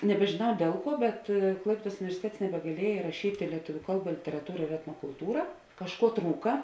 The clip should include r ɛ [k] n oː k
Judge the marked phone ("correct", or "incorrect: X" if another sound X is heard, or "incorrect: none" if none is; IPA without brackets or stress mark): incorrect: t